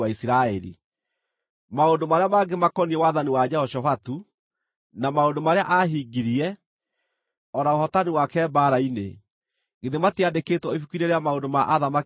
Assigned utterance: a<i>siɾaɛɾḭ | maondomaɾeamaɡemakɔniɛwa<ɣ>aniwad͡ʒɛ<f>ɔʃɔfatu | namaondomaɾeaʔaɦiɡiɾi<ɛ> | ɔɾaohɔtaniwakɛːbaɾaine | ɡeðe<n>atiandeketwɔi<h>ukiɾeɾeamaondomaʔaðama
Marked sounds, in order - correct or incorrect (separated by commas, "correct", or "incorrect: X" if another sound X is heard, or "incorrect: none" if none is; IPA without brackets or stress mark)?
correct, incorrect: ð, incorrect: h, correct, incorrect: m, incorrect: f